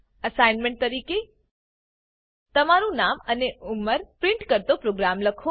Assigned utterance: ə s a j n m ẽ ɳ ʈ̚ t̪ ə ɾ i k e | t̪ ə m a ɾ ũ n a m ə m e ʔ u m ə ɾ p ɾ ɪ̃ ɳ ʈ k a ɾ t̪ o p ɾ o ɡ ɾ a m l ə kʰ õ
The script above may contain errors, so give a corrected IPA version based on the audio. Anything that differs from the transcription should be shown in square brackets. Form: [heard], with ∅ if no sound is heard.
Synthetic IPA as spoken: ə s a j n m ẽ ɳ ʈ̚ t̪ ə ɾ i k e | t̪ ə m a ɾ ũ n a m ə [n] e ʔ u m ə ɾ p ɾ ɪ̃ ɳ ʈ k [ə] ɾ t̪ o p ɾ o ɡ ɾ a m l ə kʰ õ